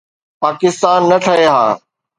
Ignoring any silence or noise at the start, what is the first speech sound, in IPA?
p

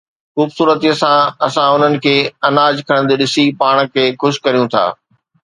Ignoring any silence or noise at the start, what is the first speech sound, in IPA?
x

